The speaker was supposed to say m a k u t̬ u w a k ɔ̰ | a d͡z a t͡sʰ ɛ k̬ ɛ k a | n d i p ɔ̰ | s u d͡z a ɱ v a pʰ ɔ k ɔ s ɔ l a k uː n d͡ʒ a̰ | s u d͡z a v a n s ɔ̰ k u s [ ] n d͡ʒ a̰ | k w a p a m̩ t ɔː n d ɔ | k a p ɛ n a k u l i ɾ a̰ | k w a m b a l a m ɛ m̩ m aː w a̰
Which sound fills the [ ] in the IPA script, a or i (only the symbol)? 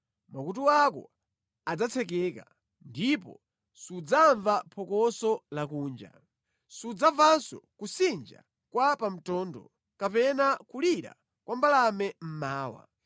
i